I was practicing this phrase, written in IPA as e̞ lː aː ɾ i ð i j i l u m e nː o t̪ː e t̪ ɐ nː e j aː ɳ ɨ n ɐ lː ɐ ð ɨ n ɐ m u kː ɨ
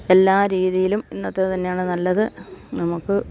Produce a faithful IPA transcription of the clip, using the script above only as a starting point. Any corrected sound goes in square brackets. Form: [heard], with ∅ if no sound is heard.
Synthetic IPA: e̞ lː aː ɾ [iː] ð i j i l u m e nː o t̪ː e t̪ ɐ nː e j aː ɳ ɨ n ɐ lː ɐ ð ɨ n ɐ m u kː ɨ